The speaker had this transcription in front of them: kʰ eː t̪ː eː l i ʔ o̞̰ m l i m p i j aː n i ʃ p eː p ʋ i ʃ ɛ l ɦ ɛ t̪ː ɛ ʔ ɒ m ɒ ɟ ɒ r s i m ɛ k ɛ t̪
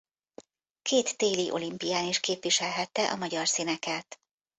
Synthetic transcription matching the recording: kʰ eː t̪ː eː l i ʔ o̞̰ l i m p i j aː n i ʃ k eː p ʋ i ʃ ɛ l ɦ ɛ t̪ː ɛ ʔ ɒ m ɒ ɟ ɒ r s i n ɛ k ɛ t̪